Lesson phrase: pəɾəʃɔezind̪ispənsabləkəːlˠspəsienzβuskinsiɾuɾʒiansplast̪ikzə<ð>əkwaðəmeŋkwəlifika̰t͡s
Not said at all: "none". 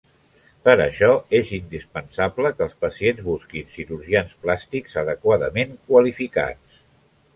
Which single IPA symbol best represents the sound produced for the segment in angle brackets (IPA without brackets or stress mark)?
ð